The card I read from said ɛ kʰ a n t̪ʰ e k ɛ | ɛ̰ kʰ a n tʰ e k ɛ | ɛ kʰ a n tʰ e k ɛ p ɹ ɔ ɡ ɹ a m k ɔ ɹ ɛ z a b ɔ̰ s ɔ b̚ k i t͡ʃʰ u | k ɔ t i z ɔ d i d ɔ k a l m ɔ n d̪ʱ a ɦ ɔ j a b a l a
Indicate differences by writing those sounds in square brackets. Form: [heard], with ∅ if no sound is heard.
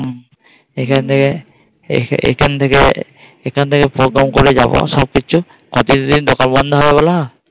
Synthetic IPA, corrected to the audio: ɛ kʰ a n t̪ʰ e k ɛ | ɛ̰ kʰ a n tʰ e k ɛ | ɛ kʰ a n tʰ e k ɛ p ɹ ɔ ɡ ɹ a m k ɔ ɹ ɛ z a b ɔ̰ s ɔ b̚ k i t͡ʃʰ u | k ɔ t i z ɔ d i d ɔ k a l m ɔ n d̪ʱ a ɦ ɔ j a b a l a